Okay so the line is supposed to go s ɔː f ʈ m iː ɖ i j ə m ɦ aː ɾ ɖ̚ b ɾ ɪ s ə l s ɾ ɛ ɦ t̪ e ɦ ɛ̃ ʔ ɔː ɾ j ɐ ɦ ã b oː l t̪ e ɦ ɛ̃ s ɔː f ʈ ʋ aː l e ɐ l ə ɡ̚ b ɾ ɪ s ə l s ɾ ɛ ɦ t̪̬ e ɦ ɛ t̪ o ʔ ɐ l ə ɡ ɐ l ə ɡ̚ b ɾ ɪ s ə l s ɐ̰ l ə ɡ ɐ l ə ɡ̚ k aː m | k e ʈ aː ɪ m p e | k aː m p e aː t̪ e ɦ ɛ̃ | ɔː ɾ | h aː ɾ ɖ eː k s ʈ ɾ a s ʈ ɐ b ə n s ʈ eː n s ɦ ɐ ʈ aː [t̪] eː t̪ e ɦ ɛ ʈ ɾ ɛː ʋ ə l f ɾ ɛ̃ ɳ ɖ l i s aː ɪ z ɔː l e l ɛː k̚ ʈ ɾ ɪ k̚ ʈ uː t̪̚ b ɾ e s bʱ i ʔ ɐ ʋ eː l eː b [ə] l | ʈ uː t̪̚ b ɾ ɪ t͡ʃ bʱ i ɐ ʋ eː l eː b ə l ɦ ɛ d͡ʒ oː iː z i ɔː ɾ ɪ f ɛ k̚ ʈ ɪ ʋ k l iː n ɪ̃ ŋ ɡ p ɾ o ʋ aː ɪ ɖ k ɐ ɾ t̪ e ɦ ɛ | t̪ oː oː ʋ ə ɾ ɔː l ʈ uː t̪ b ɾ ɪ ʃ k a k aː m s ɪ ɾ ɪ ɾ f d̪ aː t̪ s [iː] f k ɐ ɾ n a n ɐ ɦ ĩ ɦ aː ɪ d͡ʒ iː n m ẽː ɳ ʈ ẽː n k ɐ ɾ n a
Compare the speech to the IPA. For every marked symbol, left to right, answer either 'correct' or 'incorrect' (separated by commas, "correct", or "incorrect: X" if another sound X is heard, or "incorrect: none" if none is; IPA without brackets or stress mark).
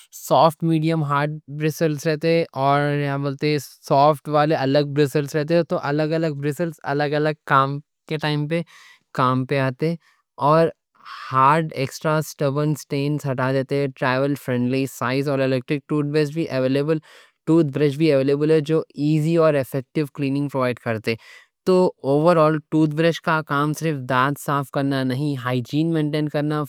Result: incorrect: d̪, correct, incorrect: aː